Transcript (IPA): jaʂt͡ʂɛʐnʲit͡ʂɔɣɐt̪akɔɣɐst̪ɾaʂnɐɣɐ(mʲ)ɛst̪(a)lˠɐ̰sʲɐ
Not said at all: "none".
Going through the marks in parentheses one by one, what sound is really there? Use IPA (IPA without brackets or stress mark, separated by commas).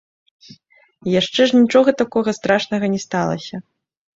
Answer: nʲ, a